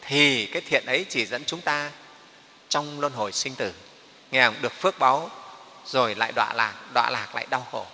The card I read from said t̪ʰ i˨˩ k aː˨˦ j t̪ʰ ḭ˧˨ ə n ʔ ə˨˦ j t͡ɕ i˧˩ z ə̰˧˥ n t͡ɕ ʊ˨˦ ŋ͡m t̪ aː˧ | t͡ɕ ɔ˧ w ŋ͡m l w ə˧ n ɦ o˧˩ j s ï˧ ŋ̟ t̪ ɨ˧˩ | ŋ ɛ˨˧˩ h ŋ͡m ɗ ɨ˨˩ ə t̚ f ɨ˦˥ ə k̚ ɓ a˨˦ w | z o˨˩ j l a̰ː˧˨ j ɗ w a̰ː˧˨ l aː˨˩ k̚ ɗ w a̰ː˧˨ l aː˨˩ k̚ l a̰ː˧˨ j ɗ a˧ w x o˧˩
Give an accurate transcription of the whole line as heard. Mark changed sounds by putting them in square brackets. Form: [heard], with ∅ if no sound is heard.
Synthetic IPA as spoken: t̪ʰ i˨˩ k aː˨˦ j t̪ʰ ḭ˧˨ ə n ʔ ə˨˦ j t͡ɕ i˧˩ z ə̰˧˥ n t͡ɕ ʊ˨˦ ŋ͡m t̪ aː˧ | t͡ɕ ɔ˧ w ŋ͡m l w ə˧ n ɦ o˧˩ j s ï˧ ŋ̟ t̪ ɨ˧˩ | ŋ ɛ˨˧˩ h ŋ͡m ɗ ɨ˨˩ ə [k̚] f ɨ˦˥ ə k̚ ɓ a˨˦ w | z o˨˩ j l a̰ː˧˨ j ɗ w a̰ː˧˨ l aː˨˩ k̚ ɗ w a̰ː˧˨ l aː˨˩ k̚ l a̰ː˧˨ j ɗ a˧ w x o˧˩